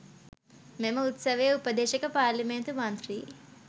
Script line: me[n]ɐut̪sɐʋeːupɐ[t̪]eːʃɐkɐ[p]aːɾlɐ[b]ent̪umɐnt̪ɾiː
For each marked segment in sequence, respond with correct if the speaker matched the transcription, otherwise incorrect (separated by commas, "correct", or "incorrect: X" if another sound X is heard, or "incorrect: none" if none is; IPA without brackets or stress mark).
incorrect: m, incorrect: d̪, correct, incorrect: m